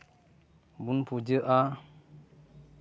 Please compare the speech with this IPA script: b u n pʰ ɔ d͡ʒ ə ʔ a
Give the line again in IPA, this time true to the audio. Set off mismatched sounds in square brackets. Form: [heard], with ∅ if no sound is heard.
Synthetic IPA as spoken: b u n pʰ [u] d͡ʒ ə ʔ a